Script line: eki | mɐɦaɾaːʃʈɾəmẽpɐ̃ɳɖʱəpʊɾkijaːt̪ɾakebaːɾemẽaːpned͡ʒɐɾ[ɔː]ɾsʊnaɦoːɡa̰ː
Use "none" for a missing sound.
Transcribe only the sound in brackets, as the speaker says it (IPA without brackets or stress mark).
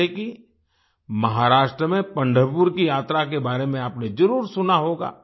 uː